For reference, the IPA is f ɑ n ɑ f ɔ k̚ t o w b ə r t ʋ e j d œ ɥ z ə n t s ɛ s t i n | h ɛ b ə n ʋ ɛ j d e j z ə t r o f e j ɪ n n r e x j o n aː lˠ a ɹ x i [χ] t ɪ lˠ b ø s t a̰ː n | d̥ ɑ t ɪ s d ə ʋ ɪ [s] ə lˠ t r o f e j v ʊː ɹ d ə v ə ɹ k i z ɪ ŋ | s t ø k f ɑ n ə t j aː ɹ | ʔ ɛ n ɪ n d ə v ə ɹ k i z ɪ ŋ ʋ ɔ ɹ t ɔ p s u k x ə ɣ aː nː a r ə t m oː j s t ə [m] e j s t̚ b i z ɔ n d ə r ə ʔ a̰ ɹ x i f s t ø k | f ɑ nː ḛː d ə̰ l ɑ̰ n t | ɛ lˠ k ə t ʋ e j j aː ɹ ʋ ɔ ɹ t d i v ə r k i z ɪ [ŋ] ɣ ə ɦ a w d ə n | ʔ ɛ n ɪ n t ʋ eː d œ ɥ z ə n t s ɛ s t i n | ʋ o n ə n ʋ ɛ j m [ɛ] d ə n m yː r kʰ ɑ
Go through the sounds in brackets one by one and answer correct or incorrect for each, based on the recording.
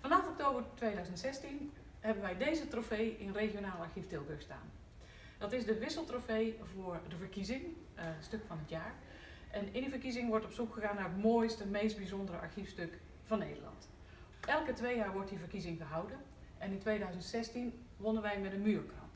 incorrect: f, correct, correct, correct, correct

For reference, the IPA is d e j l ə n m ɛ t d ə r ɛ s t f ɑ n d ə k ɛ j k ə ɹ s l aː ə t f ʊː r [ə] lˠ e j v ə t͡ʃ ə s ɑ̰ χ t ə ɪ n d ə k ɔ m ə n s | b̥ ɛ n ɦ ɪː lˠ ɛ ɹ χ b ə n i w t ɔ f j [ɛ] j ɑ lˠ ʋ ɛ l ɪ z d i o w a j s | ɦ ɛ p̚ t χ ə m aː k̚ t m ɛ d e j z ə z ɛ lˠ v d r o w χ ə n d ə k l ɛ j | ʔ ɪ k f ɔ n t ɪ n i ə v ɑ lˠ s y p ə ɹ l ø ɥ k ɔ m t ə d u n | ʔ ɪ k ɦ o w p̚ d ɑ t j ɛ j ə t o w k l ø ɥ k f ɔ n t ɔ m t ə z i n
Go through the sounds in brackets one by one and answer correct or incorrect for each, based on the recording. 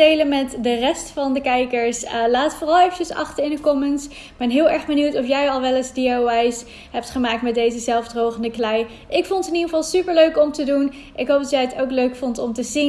incorrect: ɑ, correct

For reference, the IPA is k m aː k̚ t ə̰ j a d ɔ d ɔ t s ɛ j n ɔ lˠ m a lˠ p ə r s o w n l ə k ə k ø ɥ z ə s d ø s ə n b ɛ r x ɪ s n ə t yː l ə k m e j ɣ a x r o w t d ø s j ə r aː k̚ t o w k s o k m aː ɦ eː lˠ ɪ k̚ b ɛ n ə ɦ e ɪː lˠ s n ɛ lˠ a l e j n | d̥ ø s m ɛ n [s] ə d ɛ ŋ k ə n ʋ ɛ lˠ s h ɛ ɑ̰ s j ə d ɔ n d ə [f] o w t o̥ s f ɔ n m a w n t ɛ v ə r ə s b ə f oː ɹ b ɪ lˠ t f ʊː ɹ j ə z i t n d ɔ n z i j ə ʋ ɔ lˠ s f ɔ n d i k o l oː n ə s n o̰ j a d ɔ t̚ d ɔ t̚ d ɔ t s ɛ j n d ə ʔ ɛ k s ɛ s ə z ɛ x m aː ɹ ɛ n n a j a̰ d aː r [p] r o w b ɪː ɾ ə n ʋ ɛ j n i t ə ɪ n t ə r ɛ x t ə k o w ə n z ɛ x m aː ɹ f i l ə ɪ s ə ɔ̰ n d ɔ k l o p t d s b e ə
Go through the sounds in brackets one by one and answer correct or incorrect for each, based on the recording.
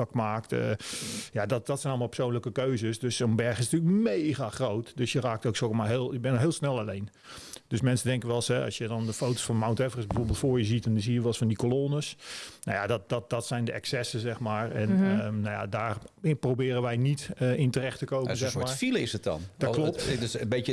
correct, correct, correct

